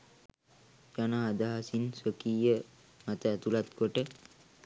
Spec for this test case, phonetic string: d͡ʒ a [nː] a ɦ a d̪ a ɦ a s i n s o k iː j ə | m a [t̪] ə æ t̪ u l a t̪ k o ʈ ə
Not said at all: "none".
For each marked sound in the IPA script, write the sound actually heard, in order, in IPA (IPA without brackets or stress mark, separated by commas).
n, t̪